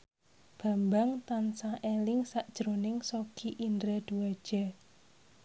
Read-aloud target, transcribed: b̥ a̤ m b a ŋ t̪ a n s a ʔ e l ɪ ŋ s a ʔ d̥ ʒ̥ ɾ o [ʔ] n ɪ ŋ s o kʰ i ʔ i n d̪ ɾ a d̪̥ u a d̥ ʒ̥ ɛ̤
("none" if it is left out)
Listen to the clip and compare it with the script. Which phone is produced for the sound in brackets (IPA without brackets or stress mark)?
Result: none